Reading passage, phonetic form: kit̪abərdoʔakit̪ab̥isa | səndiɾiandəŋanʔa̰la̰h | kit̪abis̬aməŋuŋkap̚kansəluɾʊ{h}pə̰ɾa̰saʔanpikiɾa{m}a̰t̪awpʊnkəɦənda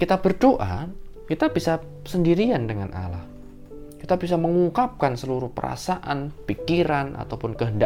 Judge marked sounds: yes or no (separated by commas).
yes, no